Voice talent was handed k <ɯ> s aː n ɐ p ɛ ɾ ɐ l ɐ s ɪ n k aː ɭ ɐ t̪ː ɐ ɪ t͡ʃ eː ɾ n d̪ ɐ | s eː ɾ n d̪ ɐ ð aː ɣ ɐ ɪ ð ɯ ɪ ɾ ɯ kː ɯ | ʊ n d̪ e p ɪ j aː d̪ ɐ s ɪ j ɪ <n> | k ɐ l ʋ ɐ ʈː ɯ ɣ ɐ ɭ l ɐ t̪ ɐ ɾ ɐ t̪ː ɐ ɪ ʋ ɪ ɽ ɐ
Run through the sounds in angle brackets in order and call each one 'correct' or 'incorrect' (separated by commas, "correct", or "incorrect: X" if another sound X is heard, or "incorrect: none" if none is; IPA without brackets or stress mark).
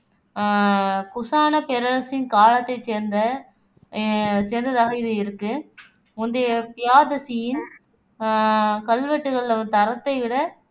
incorrect: ʊ, correct